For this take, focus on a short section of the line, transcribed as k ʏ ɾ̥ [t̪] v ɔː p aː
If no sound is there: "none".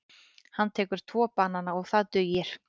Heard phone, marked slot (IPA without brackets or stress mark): t̪ʰ